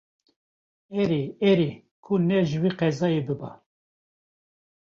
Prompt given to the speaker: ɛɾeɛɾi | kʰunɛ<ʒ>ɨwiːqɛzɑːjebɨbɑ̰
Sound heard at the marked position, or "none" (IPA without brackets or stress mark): ʒ